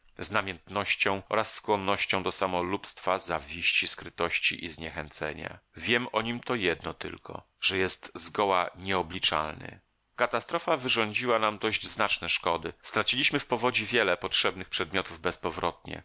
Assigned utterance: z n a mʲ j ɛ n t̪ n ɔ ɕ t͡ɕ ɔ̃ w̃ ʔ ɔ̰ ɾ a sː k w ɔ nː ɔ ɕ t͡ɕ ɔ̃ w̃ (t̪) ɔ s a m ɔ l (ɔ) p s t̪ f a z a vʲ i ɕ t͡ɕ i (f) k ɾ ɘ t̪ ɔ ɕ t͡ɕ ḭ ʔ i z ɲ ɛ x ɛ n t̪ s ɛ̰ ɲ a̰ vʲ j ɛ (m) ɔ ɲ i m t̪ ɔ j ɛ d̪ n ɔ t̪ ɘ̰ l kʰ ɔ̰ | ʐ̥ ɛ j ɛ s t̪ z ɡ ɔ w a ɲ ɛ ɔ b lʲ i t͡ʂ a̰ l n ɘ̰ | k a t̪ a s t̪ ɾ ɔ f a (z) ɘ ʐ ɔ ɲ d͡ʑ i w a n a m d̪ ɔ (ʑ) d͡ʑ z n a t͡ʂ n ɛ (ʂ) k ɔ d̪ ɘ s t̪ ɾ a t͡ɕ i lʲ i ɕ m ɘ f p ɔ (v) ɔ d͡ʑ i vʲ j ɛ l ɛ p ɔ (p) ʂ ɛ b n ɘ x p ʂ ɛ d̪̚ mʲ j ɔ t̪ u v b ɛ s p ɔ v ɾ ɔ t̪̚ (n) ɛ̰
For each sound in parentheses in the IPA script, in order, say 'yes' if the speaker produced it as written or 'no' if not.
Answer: no, no, no, yes, no, yes, yes, yes, no, no

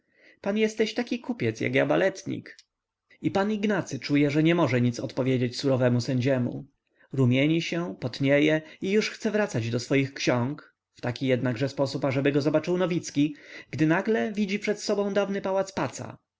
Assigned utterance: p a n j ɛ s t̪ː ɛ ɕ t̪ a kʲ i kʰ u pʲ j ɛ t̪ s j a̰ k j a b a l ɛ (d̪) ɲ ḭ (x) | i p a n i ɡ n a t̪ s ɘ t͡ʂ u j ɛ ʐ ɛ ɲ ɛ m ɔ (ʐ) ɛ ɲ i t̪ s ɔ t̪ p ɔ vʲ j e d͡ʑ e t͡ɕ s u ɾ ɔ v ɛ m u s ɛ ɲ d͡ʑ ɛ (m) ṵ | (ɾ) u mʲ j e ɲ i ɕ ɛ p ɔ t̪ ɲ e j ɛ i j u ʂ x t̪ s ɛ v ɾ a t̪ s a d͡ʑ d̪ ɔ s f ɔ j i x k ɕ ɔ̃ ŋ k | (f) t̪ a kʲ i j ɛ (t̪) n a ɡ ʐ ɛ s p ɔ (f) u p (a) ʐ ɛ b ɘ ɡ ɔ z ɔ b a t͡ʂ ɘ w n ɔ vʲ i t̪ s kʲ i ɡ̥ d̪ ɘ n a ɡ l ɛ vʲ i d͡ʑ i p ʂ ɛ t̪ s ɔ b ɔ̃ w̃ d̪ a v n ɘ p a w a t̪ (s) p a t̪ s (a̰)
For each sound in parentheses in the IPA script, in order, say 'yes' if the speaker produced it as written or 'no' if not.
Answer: no, no, yes, yes, yes, yes, no, no, yes, yes, yes

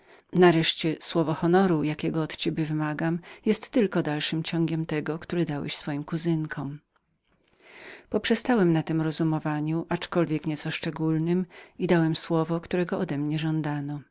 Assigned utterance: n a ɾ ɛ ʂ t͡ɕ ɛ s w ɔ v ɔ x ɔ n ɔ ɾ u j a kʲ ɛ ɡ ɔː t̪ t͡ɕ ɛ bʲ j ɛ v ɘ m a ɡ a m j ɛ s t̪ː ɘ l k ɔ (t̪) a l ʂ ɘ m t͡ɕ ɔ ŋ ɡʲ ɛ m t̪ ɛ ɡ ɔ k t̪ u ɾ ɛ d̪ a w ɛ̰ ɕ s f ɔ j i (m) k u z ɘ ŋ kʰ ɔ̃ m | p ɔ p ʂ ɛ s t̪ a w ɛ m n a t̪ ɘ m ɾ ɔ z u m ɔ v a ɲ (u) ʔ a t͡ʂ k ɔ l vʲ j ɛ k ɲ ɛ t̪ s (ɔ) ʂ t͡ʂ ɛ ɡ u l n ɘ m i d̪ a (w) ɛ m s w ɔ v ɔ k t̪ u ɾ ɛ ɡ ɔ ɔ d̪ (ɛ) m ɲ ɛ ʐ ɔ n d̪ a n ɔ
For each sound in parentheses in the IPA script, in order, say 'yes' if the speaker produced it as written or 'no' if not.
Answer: no, yes, yes, yes, yes, yes

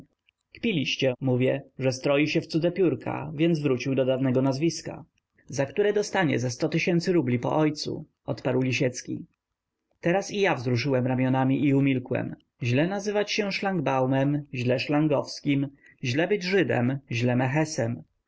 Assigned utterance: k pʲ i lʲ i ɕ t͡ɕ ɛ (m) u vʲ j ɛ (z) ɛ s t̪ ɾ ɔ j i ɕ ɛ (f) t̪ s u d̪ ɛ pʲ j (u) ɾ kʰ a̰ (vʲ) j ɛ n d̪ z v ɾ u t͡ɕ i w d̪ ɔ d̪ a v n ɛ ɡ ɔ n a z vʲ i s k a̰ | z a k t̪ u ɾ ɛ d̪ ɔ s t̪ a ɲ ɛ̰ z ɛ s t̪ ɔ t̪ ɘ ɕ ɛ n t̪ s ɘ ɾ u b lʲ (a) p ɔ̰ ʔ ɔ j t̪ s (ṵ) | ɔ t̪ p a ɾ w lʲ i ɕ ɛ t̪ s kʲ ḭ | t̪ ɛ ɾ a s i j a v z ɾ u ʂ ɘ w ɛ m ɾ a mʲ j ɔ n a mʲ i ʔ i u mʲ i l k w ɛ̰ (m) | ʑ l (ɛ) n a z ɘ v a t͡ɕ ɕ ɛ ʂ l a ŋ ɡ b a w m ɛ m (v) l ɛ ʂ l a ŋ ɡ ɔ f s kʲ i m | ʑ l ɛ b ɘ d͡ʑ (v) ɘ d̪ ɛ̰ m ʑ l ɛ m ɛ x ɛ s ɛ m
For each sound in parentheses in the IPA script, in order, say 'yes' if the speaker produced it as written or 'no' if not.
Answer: yes, no, yes, yes, yes, no, yes, yes, yes, no, no

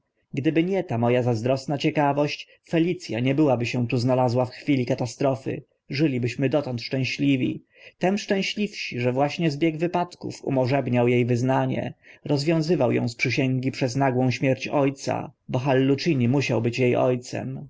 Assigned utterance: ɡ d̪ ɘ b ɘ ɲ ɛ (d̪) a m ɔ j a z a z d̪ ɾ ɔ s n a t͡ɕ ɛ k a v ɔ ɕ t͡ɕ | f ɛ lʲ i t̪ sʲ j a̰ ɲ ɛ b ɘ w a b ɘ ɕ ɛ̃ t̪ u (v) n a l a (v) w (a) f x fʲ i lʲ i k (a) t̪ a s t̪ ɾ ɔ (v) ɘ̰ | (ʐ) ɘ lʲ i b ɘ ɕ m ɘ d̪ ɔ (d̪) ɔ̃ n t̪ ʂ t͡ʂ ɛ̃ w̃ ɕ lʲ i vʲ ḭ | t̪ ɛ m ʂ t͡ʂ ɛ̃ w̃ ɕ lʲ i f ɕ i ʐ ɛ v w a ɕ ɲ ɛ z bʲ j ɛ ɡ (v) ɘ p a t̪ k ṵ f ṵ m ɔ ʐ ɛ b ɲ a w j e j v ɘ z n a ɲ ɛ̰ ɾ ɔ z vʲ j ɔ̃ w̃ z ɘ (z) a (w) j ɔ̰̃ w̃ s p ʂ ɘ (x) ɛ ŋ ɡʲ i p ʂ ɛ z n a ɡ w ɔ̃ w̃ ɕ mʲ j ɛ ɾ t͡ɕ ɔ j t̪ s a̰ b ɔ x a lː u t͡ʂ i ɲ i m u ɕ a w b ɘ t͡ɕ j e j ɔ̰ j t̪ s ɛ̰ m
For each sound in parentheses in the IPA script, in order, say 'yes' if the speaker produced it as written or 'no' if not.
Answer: no, no, no, yes, yes, no, yes, no, yes, no, yes, no

